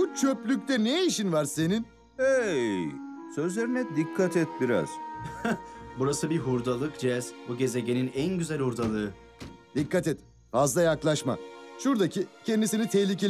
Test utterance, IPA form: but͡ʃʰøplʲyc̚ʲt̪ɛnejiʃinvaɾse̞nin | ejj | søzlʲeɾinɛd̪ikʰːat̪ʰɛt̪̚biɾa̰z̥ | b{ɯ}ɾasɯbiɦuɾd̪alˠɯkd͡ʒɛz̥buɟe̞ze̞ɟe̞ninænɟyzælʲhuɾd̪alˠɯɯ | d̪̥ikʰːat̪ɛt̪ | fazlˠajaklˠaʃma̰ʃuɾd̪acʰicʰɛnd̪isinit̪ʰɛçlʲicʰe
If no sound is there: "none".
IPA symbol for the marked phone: u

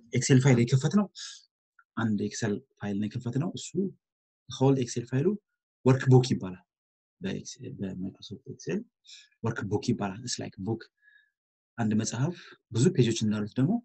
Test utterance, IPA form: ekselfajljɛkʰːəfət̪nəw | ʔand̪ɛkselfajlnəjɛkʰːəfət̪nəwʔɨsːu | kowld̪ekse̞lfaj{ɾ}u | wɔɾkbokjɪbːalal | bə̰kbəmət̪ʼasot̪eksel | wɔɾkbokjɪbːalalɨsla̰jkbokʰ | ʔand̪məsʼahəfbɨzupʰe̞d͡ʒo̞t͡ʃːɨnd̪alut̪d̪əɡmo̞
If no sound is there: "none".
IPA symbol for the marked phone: l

